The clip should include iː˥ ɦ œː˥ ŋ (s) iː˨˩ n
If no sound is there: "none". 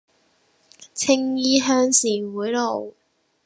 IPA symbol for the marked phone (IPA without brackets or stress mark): s